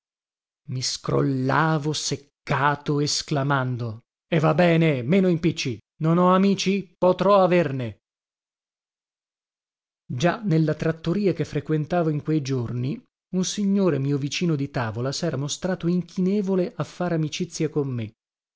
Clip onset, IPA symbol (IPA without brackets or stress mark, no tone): m